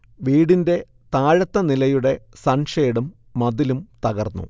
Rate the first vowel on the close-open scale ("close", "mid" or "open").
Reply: close